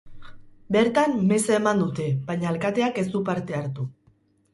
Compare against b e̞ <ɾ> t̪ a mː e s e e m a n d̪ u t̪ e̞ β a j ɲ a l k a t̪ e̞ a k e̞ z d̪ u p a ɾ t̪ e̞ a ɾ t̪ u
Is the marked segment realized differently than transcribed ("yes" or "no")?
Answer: no